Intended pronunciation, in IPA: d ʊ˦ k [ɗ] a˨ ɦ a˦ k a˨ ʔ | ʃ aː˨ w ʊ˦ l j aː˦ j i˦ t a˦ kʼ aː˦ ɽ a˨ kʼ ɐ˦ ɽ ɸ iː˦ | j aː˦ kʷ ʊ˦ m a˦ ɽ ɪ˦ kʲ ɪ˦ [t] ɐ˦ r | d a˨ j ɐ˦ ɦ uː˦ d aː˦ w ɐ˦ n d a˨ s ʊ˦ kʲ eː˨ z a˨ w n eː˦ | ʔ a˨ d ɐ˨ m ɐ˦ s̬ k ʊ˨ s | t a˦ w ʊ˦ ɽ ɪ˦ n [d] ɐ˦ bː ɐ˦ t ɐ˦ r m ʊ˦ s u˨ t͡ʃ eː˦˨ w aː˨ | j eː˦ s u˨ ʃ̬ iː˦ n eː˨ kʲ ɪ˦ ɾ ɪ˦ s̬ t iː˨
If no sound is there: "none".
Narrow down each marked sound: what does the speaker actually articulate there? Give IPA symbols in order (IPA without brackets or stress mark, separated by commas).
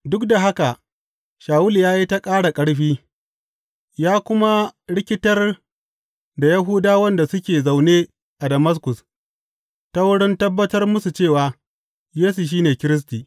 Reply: d, t, t